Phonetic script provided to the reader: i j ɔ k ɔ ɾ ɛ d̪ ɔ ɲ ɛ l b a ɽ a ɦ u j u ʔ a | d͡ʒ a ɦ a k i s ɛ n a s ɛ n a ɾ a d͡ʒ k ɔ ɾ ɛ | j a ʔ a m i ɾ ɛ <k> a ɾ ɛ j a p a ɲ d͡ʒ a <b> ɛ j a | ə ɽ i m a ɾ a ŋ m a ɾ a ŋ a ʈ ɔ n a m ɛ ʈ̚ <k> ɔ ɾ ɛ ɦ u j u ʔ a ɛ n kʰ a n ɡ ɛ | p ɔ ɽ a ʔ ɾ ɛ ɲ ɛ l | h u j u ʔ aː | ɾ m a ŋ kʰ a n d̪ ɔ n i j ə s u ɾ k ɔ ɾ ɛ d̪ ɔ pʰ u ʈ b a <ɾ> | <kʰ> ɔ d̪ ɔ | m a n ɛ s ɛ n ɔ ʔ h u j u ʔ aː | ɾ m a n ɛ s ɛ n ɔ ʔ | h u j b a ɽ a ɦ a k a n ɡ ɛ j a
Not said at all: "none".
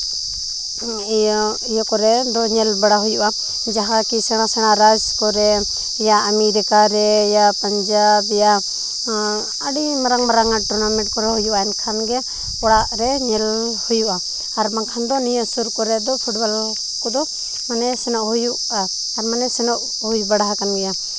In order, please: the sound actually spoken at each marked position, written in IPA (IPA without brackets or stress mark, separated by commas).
k, b, k, l, k